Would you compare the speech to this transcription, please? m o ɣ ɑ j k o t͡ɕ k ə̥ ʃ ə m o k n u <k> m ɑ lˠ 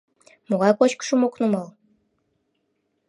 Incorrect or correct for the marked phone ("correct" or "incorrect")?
incorrect